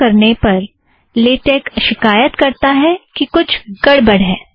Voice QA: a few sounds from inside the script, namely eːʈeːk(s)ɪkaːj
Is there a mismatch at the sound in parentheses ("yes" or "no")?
yes